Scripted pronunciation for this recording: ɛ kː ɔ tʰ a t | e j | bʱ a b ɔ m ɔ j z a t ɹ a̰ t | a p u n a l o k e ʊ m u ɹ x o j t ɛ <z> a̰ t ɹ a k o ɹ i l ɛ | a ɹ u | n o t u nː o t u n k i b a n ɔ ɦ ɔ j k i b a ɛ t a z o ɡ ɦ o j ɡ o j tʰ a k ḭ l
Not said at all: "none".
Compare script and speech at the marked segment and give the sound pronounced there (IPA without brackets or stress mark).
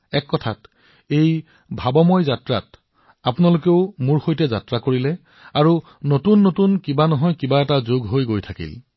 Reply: z